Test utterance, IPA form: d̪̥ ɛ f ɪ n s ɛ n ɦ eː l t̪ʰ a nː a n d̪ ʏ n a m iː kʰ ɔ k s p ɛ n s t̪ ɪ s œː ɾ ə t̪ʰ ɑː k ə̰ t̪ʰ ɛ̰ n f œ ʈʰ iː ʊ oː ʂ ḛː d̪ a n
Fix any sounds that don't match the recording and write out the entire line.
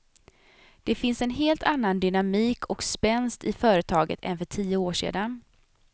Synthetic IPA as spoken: d̪̥ ɛ f ɪ n s ɛ n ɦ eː l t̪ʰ a nː a n d̪ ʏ n a m iː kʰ ɔ k s p ɛ n s t̪ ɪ f œː ɾ ə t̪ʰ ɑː ɡ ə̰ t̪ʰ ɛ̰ n f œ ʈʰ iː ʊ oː ʂ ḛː d̪ a n